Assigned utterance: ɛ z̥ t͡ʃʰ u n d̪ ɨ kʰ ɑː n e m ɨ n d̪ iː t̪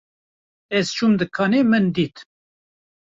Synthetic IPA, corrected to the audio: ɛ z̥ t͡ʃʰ u m d̪ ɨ kʰ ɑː n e m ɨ n d̪ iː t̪